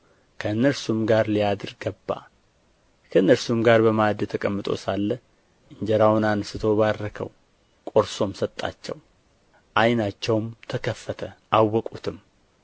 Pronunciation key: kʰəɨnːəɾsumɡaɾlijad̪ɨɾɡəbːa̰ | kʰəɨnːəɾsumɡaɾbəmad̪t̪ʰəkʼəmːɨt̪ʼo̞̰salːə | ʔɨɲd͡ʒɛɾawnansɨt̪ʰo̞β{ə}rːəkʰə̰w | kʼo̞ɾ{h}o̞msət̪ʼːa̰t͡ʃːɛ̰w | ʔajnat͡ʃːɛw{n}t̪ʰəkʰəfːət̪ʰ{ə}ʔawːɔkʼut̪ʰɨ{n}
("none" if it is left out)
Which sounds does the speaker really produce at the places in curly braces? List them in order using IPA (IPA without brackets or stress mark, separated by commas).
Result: a, s, m, ə, m